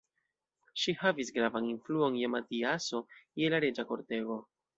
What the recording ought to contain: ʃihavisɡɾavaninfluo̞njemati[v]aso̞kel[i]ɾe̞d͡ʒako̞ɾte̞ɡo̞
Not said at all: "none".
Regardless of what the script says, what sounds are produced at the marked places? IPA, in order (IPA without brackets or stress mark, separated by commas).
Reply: none, a